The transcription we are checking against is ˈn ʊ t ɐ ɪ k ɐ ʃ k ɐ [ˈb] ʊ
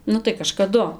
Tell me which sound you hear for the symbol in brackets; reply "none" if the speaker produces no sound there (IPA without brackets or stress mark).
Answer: d